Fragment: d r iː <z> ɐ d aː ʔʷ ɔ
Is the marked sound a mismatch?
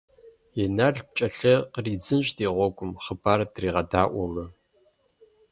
yes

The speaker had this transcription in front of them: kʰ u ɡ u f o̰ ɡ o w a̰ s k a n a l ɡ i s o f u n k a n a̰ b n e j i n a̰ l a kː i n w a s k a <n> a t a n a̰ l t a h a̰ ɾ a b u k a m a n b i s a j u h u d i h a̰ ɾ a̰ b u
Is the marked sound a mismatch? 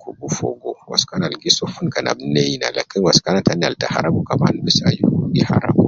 no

